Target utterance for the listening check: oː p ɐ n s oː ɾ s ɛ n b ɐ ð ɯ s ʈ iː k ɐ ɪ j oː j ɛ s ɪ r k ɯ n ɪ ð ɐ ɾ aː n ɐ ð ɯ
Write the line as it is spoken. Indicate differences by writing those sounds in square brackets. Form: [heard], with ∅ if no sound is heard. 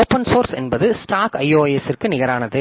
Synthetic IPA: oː p ɐ n s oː ɾ s ɛ n b ɐ ð ɯ s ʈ [aː] k ɐ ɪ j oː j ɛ s ɪ r k ɯ n ɪ [ɣ] ɐ ɾ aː n ɐ ð ɯ